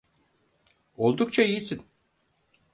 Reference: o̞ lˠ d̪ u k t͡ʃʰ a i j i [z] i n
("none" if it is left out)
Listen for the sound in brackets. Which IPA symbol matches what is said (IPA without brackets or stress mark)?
s